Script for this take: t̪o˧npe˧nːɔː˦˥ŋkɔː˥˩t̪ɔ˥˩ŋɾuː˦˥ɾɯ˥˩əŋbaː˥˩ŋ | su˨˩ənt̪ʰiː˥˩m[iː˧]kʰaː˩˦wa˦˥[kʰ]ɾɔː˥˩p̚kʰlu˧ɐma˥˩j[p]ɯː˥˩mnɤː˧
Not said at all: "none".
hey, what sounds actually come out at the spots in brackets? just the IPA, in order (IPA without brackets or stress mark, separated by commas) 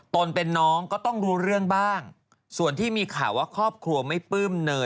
iː˧, kʰ, p